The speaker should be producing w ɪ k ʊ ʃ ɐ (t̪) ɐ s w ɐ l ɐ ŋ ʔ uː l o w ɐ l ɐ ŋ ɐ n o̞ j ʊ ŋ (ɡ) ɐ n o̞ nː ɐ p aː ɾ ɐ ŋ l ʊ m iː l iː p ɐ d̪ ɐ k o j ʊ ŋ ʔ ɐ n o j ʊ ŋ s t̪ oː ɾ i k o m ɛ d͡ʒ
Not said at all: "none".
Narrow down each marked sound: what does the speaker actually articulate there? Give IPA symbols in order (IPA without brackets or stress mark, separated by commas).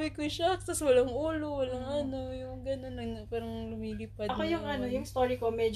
t̪, ɡ